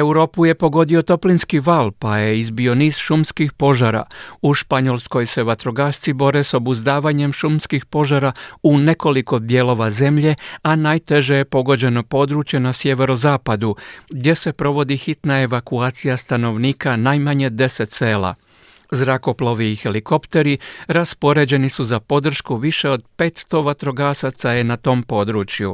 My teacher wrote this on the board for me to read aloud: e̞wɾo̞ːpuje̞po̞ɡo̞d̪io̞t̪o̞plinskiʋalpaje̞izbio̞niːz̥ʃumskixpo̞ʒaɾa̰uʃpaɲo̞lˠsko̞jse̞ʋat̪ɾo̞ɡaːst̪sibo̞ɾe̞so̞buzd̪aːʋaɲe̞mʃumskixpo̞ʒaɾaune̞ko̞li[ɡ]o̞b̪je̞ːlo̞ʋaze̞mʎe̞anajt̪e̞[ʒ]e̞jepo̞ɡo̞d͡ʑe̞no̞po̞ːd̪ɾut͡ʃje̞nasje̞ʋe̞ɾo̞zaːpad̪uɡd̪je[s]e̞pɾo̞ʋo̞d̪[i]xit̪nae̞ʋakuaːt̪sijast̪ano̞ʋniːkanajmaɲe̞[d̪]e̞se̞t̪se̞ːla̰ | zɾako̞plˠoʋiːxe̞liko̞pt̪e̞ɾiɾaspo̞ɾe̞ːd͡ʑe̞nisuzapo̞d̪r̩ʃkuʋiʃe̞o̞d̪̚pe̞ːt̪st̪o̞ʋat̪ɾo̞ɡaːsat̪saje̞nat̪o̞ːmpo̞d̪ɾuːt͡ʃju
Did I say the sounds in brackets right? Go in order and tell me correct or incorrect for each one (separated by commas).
incorrect, correct, correct, correct, correct